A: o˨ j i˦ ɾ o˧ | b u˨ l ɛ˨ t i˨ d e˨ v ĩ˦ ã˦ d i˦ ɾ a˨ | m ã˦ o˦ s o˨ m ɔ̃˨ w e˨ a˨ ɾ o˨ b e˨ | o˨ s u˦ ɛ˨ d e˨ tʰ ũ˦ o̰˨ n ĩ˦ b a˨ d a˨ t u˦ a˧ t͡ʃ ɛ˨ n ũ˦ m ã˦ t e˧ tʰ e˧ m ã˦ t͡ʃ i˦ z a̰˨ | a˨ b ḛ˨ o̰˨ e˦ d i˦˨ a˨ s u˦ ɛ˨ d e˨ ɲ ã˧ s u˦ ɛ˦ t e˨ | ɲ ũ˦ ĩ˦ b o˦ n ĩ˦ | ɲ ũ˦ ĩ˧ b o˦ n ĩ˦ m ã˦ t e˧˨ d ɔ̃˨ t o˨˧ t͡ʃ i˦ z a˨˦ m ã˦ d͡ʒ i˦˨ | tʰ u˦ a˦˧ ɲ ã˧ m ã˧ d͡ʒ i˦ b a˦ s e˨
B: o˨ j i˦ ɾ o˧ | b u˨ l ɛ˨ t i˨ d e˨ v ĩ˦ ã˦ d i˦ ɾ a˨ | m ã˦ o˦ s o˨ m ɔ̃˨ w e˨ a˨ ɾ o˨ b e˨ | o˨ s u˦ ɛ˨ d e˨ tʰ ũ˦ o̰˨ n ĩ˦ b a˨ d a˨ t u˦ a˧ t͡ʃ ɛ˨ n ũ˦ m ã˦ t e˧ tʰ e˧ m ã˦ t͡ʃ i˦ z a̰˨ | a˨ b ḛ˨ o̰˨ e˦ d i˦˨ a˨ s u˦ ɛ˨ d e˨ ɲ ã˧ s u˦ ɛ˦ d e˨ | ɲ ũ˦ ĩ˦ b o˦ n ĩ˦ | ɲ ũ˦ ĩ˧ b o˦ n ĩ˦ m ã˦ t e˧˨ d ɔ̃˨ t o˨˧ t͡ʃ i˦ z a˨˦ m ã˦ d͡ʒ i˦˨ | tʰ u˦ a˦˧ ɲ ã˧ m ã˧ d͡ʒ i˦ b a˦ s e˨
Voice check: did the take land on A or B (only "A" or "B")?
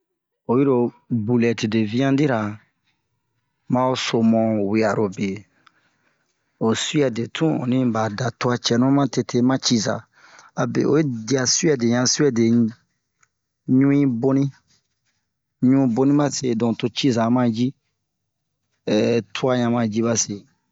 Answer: B